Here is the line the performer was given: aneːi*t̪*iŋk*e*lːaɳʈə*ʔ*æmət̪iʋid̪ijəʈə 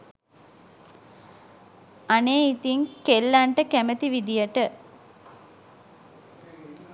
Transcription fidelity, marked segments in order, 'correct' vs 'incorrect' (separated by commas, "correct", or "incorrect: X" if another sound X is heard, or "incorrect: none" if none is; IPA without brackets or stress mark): correct, correct, incorrect: k